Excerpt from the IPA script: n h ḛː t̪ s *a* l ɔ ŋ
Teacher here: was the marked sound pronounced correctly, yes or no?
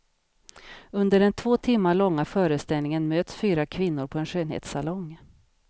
yes